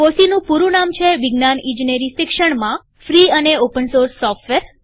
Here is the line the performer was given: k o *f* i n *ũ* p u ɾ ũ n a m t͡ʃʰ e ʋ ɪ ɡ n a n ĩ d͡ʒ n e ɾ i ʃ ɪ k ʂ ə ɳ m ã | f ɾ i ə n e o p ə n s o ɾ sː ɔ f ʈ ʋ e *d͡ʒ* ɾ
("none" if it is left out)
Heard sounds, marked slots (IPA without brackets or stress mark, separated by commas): s, ũ, none